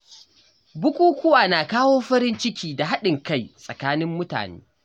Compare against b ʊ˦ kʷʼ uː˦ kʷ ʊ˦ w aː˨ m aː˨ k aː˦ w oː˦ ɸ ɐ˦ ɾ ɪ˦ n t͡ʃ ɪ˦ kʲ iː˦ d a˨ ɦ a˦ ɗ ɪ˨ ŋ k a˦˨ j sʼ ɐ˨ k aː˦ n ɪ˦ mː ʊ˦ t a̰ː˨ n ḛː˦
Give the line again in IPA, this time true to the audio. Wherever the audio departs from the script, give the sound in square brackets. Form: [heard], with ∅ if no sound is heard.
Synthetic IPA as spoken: b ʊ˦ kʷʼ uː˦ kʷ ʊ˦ w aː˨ [n] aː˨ k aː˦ w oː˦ ɸ ɐ˦ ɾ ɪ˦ n t͡ʃ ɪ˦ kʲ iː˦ d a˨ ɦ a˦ ɗ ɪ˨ ŋ k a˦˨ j sʼ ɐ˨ k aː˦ n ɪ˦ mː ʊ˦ t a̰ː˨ n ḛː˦